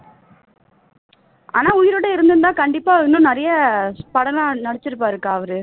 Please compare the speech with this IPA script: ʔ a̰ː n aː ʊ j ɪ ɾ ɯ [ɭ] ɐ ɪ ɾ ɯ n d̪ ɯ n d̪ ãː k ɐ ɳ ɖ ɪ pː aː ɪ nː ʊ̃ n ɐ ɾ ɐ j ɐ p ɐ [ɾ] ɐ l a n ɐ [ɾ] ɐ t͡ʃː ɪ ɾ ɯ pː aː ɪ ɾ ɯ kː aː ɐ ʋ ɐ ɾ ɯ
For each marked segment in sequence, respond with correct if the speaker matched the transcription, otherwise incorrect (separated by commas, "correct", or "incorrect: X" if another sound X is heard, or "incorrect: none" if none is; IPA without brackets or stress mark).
incorrect: ɽ, incorrect: ɽ, incorrect: ɽ